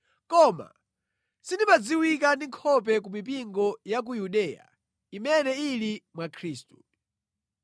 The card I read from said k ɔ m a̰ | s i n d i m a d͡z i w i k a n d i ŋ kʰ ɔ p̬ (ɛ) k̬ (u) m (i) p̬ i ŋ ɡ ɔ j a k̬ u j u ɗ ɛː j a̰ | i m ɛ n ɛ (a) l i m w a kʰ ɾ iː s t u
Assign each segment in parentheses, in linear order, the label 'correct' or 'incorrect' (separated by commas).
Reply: correct, correct, correct, incorrect